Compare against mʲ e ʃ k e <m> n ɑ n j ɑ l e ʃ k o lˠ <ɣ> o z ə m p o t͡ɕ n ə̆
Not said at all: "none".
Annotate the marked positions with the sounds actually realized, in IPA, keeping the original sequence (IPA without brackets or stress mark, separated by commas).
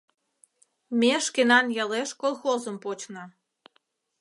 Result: none, x